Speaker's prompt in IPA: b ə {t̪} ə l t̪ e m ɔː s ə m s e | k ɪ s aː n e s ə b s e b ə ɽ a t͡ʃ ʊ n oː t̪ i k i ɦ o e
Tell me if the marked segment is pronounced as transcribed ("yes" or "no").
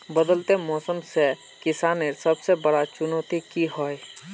no